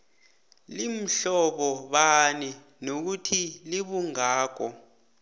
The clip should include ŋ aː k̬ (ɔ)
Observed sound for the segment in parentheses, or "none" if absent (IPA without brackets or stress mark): ɔ